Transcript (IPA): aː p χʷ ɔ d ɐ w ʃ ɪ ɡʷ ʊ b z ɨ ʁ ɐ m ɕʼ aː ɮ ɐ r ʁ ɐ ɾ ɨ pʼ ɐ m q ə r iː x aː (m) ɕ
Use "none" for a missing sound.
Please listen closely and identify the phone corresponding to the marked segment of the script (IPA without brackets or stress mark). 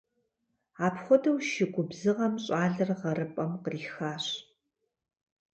none